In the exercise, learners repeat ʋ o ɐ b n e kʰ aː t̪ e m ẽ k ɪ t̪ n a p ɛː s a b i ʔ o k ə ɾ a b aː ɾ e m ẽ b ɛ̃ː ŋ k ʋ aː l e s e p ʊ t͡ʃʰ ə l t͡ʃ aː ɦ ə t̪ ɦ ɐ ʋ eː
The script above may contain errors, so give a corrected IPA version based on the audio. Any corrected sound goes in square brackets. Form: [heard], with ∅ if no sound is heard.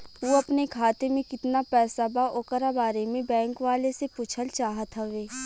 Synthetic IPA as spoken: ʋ o ɐ [p] n e kʰ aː t̪ e m ẽ k ɪ t̪ n a p ɛː s a b [a] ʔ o k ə ɾ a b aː ɾ e m ẽ b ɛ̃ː ŋ k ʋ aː l e s e p ʊ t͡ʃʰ ə l t͡ʃ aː ɦ ə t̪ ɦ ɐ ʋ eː